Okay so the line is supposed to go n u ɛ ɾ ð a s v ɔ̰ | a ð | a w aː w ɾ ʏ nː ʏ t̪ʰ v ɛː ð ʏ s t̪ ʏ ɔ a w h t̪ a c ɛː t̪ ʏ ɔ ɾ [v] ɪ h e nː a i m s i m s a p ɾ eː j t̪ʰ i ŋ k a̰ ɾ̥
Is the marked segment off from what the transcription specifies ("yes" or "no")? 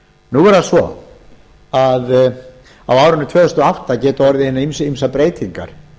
yes